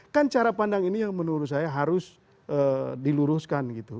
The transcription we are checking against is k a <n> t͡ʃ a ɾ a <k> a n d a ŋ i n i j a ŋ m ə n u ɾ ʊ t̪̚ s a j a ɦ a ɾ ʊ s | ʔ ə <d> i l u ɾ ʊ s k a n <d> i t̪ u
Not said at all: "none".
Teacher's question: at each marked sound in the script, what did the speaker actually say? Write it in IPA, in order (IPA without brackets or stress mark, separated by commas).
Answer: n, p, d, ɡ